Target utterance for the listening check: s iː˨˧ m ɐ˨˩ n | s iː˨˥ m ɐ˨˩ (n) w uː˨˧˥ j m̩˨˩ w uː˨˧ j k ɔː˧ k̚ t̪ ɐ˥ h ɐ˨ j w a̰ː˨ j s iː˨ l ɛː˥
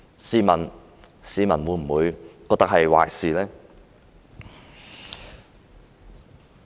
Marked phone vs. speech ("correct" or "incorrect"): correct